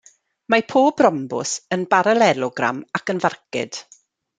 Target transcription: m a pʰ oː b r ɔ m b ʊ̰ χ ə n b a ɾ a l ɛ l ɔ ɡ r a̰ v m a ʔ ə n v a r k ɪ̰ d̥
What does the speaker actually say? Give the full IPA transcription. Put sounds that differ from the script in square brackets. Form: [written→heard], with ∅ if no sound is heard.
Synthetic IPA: m a pʰ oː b r ɔ m b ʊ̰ [χ→s] ə n b a ɾ a l ɛ l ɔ ɡ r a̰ [v→∅] m a [ʔ→k] ə n v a r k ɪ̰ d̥